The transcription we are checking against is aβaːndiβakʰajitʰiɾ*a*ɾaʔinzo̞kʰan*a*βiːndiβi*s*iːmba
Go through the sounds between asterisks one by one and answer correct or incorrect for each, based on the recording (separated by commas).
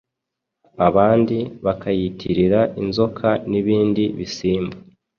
incorrect, incorrect, correct